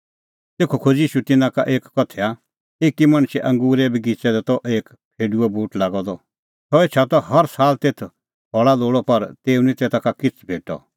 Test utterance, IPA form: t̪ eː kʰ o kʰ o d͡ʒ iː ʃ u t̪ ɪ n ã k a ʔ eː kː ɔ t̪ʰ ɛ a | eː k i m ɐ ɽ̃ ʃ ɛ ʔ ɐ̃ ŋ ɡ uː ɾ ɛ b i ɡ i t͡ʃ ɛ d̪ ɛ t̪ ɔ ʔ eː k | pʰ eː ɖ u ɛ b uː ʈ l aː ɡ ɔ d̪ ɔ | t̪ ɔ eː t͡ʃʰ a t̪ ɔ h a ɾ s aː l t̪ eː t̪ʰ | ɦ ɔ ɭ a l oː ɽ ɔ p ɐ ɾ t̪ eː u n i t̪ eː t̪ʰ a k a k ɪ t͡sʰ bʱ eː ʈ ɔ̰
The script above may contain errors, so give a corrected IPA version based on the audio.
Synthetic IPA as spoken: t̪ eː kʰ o kʰ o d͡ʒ iː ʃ u t̪ ɪ n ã k a ʔ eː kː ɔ t̪ʰ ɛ a | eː k i m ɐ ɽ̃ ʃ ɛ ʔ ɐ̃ ŋ ɡ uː ɾ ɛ b i ɡ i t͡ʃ ɛ d̪ ɛ t̪ ɔ ʔ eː k | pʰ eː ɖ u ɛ b uː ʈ l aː ɡ ɔ d̪ ɔ | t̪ ɔ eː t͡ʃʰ a t̪ ɔ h ɐ ɾ s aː l t̪ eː t̪ʰ | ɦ ɔ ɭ a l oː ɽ ɔ p ɐ ɾ t̪ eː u n i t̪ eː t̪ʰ a k a k ɪ t͡sʰ bʱ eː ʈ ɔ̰